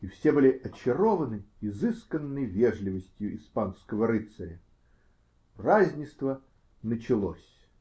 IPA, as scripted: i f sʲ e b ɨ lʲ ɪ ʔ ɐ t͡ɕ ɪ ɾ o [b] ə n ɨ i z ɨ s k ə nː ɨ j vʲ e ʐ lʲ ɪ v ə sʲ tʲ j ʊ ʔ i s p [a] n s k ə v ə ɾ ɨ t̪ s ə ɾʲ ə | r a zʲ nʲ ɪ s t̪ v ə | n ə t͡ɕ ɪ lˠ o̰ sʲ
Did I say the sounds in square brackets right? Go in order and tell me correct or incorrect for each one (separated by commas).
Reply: incorrect, correct